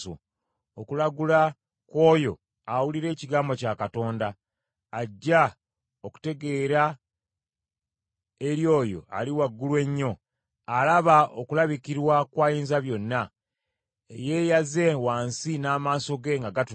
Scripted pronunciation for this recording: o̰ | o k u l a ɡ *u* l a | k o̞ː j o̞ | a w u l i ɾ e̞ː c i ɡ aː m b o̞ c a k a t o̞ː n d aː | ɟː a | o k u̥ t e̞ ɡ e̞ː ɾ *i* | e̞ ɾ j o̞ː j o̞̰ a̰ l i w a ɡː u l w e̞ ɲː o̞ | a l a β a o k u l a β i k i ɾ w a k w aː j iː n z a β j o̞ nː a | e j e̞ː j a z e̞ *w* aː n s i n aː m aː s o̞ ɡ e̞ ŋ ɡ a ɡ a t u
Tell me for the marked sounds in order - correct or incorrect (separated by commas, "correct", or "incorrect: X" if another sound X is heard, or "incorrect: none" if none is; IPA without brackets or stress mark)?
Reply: correct, incorrect: a, correct